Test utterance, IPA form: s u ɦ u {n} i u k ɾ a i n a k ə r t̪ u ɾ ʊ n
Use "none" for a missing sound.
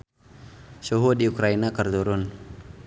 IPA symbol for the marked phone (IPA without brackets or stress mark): d